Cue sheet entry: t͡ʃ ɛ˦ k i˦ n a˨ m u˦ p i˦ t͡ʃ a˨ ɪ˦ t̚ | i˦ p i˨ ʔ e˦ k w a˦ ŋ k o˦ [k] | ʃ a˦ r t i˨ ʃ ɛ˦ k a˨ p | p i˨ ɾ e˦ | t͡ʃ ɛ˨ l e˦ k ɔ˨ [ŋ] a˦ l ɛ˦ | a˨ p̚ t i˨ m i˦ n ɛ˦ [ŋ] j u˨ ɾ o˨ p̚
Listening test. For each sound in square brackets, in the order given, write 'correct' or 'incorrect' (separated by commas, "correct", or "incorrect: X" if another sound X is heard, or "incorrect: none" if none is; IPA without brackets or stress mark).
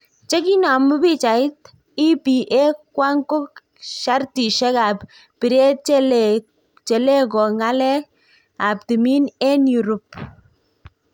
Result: correct, correct, incorrect: n